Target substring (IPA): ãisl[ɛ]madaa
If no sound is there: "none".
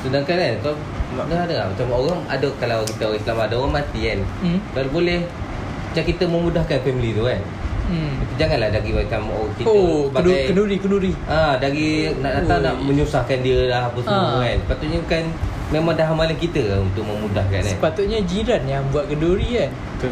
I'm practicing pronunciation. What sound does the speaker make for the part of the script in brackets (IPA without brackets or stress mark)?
a